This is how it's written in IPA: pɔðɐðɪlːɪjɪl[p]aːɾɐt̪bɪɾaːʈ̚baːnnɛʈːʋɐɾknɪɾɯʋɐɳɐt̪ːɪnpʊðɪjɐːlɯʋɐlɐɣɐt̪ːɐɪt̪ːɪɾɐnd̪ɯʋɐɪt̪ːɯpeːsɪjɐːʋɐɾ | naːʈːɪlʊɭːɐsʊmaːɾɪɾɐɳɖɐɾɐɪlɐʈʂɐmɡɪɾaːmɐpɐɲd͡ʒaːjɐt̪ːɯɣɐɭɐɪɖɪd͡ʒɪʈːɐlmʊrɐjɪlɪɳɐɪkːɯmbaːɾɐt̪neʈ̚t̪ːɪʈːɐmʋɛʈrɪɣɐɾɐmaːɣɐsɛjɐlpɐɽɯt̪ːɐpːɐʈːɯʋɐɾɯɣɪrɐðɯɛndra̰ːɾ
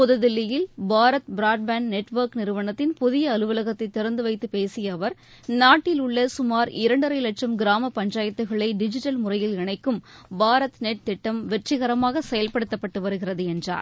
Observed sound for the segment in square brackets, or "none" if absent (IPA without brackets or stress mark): b